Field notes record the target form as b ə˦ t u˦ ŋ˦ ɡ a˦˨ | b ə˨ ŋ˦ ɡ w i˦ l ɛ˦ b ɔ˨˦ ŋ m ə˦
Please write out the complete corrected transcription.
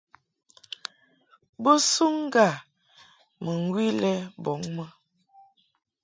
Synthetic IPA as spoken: b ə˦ s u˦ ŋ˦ ɡ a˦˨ | m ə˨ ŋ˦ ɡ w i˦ l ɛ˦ b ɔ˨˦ ŋ m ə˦